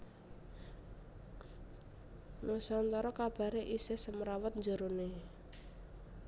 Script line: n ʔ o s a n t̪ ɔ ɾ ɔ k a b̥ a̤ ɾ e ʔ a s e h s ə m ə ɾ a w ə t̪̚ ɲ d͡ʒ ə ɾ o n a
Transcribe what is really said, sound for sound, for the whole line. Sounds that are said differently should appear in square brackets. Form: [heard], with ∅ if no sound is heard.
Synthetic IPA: n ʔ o s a n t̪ ɔ ɾ ɔ k a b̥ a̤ ɾ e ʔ [i] s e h s ə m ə ɾ a w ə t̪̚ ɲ d͡ʒ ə ɾ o n [e]